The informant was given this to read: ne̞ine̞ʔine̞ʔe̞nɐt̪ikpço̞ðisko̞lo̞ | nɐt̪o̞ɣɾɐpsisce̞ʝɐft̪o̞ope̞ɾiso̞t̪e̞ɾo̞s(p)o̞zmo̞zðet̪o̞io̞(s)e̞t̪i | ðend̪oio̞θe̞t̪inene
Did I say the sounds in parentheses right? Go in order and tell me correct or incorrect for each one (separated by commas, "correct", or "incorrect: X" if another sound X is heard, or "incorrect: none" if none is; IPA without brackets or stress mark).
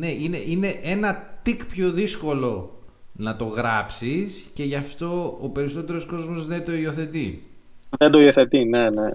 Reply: incorrect: k, incorrect: θ